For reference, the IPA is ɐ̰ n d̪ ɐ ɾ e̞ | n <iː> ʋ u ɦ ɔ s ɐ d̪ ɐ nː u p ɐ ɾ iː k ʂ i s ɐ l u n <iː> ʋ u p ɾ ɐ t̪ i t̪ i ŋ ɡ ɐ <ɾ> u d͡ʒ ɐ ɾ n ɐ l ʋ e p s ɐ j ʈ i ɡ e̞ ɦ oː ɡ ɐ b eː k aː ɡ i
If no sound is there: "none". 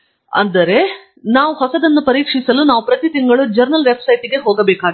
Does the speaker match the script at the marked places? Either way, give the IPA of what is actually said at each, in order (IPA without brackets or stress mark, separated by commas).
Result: aː, aː, ɭ